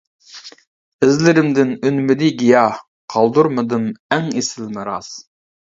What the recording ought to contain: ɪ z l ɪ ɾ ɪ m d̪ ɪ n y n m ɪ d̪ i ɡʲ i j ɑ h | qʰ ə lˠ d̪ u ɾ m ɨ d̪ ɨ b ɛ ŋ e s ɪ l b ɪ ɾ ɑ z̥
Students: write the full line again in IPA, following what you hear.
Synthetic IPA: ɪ z l ɪ ɾ ɪ m d̪ ɪ n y n m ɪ d̪ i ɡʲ i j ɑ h | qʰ ɑ lˠ d̪ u ɾ m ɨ d̪ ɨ m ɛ ŋ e s ɪ l m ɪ ɾ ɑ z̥